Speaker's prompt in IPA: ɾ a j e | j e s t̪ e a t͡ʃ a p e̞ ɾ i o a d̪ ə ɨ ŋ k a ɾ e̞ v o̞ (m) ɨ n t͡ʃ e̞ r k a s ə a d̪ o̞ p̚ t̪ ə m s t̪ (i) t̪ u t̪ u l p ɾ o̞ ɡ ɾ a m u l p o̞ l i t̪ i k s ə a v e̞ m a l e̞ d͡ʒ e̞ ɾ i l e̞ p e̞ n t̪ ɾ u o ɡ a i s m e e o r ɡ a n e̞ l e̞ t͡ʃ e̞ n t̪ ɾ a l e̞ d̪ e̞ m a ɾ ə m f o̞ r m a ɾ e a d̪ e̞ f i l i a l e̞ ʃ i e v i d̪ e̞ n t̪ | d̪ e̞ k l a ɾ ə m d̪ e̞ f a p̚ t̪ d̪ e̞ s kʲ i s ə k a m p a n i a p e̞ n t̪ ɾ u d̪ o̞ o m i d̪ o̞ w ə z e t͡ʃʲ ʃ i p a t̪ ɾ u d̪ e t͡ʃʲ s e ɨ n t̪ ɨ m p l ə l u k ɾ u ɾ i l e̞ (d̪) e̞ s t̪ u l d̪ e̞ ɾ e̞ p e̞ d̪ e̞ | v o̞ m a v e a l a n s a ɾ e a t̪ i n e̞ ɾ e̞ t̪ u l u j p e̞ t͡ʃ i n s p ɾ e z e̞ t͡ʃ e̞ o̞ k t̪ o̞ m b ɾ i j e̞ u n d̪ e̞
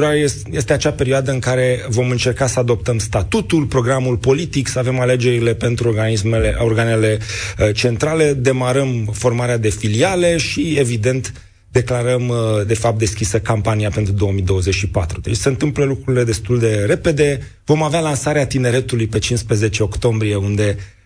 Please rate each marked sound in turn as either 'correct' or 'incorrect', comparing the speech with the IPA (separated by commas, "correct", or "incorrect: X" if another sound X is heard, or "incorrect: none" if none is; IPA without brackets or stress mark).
correct, incorrect: a, correct